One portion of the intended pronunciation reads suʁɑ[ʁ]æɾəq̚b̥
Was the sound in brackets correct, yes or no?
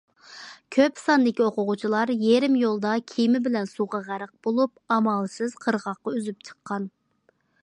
yes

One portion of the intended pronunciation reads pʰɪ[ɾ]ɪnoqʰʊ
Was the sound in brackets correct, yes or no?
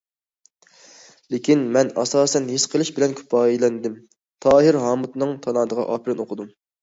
yes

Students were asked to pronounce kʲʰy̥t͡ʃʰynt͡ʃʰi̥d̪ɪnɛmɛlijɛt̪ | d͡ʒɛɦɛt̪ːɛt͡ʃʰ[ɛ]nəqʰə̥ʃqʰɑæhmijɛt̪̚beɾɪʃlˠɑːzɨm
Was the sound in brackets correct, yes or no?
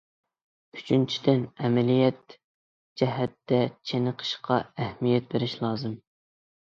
no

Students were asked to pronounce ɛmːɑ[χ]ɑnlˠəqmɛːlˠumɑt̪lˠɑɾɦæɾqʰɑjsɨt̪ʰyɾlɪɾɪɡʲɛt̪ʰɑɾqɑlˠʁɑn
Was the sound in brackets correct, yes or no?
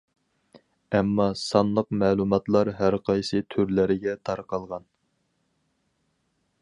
no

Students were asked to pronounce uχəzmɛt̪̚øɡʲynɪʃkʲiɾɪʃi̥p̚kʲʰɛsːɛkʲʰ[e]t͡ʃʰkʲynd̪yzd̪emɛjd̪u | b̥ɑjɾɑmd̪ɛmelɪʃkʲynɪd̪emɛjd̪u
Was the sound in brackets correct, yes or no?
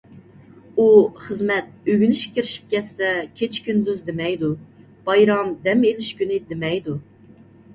yes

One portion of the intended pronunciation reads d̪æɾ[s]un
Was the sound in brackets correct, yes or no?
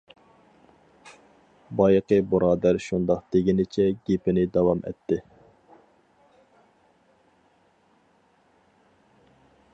no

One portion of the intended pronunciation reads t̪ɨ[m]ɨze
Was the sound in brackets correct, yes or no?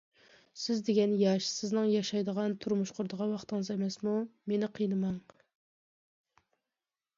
no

